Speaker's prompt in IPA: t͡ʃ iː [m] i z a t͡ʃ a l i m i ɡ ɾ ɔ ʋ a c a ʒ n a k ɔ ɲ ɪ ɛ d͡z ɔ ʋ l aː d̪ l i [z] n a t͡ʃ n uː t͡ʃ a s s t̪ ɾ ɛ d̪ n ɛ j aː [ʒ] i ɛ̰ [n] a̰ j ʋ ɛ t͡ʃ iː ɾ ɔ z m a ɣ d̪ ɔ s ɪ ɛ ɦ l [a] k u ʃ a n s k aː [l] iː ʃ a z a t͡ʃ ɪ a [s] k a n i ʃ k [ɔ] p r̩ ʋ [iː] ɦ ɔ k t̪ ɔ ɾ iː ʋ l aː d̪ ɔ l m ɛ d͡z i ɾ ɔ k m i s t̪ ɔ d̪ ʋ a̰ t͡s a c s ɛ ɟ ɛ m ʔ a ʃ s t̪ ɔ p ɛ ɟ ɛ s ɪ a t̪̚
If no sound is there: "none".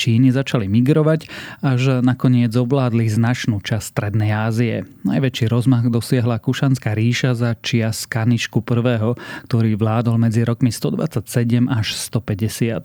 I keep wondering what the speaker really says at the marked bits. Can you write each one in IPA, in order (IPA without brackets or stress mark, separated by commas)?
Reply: n, z, z, n, a, ɾ, s, u, ɛː